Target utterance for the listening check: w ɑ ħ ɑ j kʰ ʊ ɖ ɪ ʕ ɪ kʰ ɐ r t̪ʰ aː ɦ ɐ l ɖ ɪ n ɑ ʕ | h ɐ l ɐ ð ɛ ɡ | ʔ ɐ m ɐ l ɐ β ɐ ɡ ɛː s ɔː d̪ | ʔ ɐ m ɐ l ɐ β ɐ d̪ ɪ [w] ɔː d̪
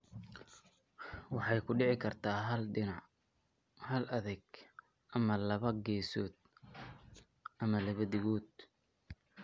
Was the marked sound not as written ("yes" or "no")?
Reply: yes